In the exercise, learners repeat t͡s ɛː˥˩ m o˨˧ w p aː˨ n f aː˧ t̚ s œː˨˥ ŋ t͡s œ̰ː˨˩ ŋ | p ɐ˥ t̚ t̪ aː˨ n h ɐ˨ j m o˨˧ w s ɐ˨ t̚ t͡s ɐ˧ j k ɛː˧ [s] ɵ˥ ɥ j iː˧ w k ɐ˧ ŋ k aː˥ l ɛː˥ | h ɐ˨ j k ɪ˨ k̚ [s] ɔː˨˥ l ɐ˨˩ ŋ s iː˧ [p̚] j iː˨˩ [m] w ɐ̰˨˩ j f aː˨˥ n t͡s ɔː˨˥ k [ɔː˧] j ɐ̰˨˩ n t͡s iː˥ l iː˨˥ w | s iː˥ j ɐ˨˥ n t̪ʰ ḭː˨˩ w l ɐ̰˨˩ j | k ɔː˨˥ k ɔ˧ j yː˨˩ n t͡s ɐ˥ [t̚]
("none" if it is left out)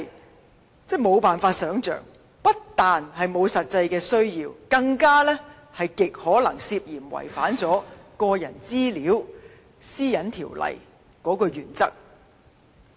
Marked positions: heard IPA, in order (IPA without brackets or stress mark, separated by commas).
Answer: s, h, p̚, m, ɔː˧, k̚